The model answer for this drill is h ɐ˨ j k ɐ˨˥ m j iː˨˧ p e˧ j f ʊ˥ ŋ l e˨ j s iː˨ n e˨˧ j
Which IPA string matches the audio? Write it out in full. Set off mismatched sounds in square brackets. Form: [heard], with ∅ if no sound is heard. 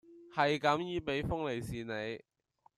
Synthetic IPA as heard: h ɐ˨ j k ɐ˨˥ m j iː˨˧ p [e˨˥] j f ʊ˥ ŋ l e˨ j s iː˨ n e˨˧ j